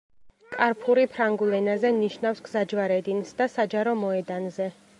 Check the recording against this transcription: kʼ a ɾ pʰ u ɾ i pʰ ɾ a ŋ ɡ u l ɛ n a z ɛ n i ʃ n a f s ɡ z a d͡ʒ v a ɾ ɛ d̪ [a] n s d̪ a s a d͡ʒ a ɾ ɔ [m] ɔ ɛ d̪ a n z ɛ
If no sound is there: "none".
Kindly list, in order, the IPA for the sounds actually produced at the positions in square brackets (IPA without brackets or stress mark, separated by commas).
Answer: i, m